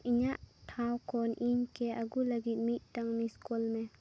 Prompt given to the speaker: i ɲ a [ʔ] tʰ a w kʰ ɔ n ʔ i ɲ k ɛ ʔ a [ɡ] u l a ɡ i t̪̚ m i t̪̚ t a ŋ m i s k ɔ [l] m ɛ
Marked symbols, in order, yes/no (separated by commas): yes, yes, yes